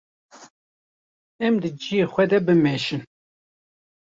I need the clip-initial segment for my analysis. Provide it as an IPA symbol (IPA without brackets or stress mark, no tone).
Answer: ɛ